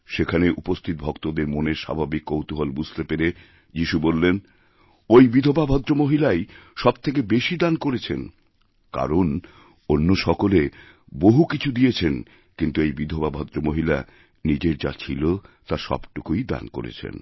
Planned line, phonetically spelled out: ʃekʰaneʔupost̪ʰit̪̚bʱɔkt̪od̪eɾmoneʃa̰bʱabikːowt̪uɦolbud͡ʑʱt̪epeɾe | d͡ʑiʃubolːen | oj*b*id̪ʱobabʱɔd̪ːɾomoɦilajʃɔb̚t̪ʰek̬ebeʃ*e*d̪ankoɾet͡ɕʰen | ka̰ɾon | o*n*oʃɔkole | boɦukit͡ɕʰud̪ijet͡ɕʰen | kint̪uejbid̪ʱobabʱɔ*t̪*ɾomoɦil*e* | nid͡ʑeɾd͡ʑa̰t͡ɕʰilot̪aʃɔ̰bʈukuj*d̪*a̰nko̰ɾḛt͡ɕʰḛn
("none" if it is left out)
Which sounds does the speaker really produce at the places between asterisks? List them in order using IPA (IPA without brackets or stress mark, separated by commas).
b, i, nː, d̪, a, d̪